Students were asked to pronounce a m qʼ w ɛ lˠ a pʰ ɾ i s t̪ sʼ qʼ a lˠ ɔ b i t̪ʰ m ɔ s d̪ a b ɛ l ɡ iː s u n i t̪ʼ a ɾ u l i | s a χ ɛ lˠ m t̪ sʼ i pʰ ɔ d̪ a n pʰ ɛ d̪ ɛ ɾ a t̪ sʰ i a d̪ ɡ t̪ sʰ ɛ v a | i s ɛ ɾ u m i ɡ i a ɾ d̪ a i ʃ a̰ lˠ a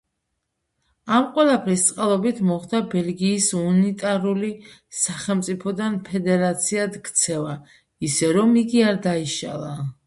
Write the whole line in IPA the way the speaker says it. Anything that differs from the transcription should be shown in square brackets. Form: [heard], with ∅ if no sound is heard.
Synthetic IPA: a m qʼ w ɛ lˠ a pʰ ɾ i s t̪ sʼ qʼ a lˠ ɔ b i t̪ʰ m ɔ [χ] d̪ a b ɛ l ɡ iː s u n i t̪ʼ a ɾ u l i | s a χ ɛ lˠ m t̪ sʼ i pʰ ɔ d̪ a n pʰ ɛ d̪ ɛ ɾ a t̪ sʰ i a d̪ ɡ t̪ sʰ ɛ v a | i s ɛ ɾ [ɔ] m i ɡ i a ɾ d̪ a i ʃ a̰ lˠ a